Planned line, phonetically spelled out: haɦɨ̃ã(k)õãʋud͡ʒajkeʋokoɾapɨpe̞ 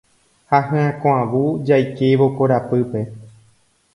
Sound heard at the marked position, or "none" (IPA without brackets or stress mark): k